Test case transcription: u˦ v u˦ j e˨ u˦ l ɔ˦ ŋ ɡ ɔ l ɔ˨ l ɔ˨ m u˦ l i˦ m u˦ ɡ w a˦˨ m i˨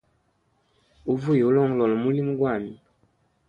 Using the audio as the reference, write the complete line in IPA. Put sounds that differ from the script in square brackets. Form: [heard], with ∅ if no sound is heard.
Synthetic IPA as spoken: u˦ v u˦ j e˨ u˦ l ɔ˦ ŋ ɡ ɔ l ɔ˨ l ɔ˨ m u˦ l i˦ m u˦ ɡ w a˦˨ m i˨